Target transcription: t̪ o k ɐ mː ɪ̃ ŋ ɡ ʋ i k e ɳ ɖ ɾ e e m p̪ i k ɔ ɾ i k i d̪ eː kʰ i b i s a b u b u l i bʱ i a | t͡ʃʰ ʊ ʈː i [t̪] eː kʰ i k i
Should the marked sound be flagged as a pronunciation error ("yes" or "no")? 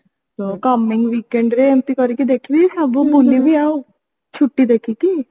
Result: yes